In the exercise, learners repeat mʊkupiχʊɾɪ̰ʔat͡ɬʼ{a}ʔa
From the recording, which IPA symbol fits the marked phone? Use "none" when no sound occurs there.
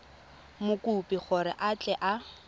ɛ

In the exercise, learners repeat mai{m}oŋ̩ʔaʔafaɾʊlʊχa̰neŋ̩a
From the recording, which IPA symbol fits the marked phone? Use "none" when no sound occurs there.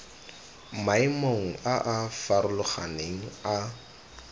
m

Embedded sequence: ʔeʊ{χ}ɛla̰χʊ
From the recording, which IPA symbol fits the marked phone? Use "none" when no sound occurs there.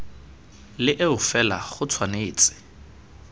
f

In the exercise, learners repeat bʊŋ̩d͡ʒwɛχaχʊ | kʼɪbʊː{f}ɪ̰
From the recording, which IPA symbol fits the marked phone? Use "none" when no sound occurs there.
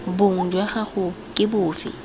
f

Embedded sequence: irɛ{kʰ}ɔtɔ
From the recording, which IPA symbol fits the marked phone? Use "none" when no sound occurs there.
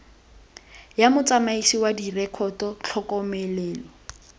kʰ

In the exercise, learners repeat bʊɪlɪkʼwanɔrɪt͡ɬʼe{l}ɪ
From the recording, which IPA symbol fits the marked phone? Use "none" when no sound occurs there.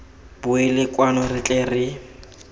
r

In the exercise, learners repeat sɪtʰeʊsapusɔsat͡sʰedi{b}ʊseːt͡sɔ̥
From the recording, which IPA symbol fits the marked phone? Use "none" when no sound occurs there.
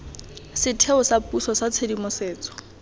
m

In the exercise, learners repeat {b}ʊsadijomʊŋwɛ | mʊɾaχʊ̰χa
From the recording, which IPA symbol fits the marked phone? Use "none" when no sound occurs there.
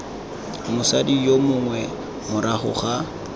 m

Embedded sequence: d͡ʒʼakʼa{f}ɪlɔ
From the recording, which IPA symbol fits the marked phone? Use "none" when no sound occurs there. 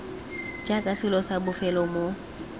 s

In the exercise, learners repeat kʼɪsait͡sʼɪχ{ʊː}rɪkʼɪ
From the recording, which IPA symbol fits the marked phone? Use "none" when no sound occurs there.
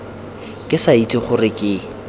ʊ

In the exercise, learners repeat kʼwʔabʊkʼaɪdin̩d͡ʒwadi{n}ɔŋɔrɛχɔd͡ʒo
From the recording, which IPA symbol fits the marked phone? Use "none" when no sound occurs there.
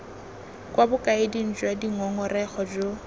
ŋ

